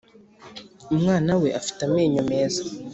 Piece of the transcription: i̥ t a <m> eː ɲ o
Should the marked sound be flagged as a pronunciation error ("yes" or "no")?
no